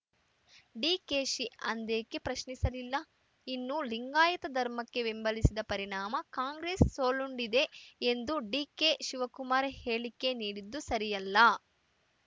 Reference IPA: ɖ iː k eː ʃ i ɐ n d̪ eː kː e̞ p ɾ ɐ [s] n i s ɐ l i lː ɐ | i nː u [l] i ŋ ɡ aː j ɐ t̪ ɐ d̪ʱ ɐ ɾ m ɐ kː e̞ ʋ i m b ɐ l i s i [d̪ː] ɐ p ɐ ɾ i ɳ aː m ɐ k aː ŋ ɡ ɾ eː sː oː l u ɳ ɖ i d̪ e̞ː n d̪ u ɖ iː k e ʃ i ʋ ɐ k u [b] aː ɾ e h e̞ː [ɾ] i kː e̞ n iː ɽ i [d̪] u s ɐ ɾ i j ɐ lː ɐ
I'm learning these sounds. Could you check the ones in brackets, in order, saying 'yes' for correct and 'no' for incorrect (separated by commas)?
no, yes, no, no, no, no